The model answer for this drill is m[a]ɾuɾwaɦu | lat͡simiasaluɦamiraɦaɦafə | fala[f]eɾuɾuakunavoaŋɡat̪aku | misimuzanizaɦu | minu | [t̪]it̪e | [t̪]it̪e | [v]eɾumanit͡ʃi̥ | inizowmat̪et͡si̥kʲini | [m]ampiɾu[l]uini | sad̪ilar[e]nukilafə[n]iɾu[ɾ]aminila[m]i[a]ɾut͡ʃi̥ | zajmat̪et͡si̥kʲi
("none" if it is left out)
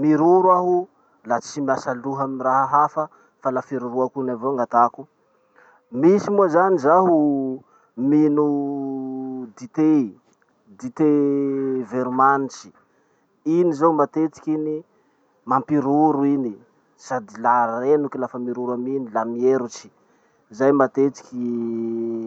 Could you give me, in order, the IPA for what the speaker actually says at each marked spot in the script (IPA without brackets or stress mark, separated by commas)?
i, f, d̪, d̪, v, m, ɾ, e, m, ɾ, m, e